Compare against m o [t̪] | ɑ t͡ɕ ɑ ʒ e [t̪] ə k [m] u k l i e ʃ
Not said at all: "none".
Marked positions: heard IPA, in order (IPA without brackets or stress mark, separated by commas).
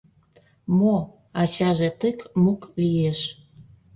none, t̪, m